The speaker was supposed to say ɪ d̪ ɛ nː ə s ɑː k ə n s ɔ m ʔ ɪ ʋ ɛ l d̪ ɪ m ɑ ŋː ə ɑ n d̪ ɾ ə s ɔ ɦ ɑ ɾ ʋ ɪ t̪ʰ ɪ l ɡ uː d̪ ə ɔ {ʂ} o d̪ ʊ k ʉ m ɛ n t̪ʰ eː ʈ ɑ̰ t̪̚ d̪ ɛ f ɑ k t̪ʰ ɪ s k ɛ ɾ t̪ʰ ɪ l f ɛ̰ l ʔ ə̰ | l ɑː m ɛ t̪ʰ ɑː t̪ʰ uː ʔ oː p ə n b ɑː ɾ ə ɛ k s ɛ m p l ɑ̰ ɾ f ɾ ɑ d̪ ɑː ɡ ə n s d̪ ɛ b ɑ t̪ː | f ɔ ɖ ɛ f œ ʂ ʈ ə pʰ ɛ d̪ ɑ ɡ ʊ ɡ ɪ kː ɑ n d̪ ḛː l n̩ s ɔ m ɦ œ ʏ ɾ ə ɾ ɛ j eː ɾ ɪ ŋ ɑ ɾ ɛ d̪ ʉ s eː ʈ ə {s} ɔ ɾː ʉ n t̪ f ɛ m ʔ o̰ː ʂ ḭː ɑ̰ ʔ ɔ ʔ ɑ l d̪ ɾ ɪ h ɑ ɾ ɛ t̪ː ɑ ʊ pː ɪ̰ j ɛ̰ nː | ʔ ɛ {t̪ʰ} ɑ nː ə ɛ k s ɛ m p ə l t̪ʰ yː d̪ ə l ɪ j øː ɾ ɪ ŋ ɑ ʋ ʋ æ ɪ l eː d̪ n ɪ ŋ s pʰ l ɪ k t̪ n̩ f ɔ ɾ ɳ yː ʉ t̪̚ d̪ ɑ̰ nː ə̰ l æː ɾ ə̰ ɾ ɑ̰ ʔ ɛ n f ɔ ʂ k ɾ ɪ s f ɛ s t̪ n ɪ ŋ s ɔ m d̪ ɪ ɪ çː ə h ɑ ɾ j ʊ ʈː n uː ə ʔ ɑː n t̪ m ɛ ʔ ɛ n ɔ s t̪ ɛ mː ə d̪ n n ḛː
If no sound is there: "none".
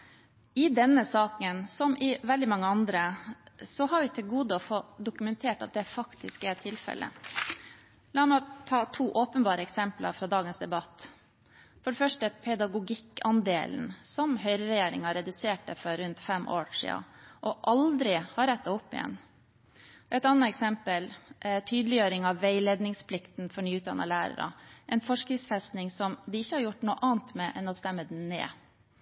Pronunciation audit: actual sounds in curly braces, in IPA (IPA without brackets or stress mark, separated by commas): f, f, t̪